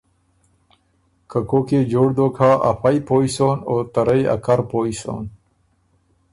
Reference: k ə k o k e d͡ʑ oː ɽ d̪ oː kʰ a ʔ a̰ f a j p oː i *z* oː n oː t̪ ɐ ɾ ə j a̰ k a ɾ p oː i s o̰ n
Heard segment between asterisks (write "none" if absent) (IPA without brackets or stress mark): s